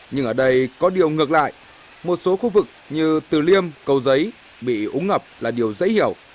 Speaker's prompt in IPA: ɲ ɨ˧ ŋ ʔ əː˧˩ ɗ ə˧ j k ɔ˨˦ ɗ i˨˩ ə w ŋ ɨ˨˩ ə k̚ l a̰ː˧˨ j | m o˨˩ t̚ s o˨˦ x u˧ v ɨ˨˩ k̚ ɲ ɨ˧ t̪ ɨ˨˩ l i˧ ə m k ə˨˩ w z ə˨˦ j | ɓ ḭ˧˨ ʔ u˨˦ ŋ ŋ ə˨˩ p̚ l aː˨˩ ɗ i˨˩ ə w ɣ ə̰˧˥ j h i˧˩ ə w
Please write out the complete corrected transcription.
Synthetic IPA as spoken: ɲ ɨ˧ ŋ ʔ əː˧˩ ɗ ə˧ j k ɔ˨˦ ɗ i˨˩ ə w ŋ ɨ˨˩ ə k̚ l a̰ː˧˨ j | m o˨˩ t̚ s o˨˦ x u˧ v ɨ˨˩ k̚ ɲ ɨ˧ t̪ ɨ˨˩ l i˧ ə m k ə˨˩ w z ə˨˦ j | ɓ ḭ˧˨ ʔ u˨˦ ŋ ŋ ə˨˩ p̚ l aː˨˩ ɗ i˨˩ ə w z ə̰˧˥ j h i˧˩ ə w

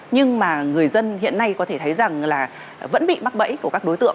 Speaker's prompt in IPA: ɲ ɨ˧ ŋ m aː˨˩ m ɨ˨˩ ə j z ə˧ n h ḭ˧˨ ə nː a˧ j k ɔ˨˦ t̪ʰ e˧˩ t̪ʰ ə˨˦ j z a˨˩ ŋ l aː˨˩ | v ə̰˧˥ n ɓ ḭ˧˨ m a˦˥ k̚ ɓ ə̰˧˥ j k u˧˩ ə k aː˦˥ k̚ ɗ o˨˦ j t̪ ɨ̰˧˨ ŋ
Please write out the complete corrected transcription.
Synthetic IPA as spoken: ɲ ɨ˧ ŋ m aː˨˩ ŋ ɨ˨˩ ə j z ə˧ n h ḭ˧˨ ə nː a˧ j k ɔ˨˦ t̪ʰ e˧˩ t̪ʰ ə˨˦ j z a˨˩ ŋ l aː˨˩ | v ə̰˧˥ n ɓ ḭ˧˨ m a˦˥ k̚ ɓ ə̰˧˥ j k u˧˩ ə k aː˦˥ k̚ ɗ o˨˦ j t̪ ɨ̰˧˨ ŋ

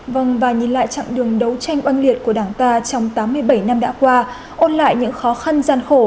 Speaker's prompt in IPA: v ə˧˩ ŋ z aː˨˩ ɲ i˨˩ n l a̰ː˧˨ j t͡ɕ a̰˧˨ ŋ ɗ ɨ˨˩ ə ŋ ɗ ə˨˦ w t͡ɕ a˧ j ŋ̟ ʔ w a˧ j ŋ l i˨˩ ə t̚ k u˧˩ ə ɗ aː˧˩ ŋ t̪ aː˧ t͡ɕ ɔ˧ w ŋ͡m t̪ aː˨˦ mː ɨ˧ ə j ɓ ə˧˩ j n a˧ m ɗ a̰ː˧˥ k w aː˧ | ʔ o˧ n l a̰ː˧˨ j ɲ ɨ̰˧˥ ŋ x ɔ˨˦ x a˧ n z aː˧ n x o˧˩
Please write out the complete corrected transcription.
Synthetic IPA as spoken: v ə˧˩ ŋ v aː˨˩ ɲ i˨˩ n l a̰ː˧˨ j t͡ɕ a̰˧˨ ŋ ɗ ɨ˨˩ ə ŋ ɗ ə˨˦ w t͡ɕ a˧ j ŋ̟ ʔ w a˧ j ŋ l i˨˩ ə t̚ k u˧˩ ə ɗ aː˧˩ ŋ t̪ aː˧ t͡ɕ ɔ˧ w ŋ͡m t̪ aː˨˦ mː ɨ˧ ə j ɓ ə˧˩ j n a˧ m ɗ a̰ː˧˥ k w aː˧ | ʔ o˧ n l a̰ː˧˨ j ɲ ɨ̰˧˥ ŋ x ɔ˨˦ x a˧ n z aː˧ n x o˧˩

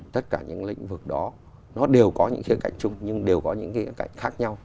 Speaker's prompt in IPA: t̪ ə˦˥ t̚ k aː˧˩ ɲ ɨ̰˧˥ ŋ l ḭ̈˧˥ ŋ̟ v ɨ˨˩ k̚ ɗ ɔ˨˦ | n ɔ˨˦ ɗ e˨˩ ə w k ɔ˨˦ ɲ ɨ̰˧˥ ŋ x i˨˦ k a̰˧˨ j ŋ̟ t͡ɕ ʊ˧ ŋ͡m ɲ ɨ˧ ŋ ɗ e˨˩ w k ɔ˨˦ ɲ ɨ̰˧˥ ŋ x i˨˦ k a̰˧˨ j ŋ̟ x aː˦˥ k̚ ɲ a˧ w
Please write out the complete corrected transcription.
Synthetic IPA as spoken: t̪ ə˦˥ t̚ k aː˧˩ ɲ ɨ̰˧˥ ŋ l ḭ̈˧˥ ŋ̟ v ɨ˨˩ k̚ ɗ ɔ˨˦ | n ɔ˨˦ ɗ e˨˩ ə w k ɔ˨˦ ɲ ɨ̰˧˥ ŋ x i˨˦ k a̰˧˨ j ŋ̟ t͡ɕ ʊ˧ ŋ͡m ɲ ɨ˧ ŋ ɗ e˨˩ w k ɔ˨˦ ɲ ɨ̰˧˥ ŋ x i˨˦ k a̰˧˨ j ŋ̟ x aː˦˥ k̚ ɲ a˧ w

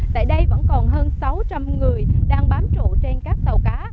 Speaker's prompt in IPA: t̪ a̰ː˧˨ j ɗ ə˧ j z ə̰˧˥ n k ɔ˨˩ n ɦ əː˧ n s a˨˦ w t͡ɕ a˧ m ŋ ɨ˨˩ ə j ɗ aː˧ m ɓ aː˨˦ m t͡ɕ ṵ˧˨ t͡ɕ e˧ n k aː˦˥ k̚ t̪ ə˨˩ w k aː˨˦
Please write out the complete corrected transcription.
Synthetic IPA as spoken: t̪ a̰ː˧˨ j ɗ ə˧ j v ə̰˧˥ n k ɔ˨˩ n ɦ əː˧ n s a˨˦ w t͡ɕ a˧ m ŋ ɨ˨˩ ə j ɗ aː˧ ŋ ɓ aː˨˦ m t͡ɕ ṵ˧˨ t͡ɕ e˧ n k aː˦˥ k̚ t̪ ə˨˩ w k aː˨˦

